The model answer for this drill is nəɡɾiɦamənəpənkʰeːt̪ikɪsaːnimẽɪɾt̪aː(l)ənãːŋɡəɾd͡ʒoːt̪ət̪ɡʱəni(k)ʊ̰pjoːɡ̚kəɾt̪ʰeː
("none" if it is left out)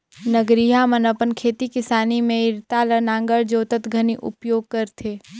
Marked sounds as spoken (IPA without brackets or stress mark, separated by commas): l, ʔ